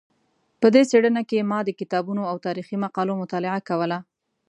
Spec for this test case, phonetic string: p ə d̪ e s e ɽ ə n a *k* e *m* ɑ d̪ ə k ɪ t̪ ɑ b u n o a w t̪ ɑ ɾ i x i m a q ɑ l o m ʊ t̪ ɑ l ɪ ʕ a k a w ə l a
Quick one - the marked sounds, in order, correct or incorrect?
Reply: correct, correct

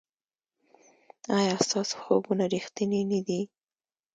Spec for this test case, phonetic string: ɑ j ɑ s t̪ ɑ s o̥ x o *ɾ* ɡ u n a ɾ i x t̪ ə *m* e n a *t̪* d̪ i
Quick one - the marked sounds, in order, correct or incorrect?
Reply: incorrect, incorrect, incorrect

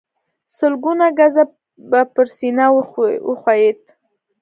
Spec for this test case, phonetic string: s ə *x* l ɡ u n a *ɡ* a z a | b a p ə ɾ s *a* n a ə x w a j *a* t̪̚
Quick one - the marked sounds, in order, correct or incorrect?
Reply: incorrect, correct, incorrect, incorrect

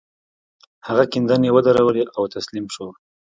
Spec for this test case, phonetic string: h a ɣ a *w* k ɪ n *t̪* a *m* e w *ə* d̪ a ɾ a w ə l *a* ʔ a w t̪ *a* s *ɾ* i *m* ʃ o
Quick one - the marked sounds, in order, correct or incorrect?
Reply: incorrect, incorrect, incorrect, correct, incorrect, correct, incorrect, correct

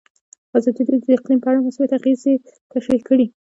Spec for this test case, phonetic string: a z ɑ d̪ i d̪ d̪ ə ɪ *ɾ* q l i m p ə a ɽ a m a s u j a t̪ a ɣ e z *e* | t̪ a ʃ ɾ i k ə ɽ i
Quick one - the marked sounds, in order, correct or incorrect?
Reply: incorrect, correct

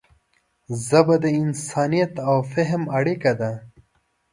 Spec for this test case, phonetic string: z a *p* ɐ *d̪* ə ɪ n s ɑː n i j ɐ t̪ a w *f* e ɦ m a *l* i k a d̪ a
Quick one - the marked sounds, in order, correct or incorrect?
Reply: incorrect, correct, correct, incorrect

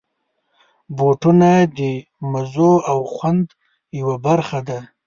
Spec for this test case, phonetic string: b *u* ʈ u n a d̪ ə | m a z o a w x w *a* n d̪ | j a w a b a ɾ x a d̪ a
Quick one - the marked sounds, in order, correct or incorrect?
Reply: incorrect, correct

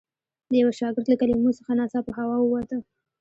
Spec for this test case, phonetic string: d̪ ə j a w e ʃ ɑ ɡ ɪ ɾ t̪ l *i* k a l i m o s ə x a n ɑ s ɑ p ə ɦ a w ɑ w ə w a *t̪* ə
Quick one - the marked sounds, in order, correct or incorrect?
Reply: incorrect, correct

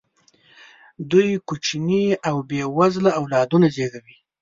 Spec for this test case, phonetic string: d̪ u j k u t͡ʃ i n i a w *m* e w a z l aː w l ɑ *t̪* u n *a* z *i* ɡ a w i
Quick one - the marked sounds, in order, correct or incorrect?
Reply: incorrect, incorrect, correct, incorrect

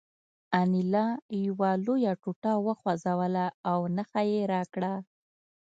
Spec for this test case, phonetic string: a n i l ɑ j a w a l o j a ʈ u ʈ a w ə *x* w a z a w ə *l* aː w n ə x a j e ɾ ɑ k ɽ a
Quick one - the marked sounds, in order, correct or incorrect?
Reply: correct, correct

